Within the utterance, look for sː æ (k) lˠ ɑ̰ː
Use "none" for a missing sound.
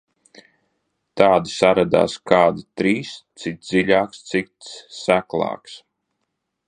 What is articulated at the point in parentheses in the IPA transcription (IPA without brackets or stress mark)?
k